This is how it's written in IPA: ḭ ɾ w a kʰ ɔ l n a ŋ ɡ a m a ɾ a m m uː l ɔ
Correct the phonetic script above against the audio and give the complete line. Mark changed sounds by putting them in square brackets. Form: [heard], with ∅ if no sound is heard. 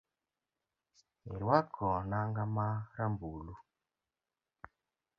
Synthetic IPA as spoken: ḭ ɾ w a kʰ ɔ [∅] n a ŋ ɡ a m a ɾ a m [b] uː l [u]